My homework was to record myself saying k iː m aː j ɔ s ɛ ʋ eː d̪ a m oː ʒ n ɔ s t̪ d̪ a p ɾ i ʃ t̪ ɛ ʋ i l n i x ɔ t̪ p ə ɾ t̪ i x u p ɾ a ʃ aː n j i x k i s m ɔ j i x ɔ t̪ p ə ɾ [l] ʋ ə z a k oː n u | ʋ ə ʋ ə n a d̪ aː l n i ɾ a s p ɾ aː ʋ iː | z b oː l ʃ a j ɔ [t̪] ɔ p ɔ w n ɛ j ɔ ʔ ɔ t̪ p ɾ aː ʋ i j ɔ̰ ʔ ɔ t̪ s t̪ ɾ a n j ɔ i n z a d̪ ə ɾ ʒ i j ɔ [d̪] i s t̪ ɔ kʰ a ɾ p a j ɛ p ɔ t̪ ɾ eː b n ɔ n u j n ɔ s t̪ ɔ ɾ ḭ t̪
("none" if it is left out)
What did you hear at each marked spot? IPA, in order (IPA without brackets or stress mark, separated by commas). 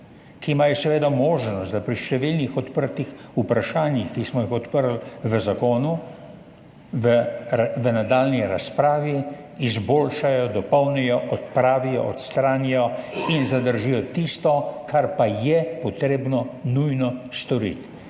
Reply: l, d̪, t̪